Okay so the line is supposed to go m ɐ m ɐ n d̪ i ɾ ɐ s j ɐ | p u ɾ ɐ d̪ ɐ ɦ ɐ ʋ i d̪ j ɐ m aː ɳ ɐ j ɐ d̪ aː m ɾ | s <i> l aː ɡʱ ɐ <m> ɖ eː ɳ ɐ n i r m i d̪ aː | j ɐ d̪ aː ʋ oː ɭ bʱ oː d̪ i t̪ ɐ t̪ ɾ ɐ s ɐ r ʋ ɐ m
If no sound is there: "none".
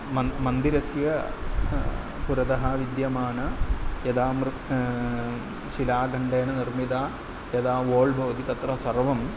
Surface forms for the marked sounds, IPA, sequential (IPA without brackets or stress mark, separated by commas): i, ɳ